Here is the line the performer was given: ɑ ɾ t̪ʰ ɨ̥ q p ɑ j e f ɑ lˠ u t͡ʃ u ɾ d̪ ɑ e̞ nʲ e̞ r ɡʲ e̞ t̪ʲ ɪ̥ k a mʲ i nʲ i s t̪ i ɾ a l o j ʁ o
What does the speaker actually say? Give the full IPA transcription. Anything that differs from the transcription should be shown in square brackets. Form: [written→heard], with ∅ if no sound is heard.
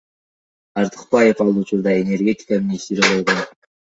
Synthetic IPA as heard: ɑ ɾ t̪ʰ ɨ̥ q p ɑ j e f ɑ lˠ u t͡ʃ u ɾ d̪ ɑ e̞ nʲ e̞ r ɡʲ e̞ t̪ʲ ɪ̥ k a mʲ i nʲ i s t̪ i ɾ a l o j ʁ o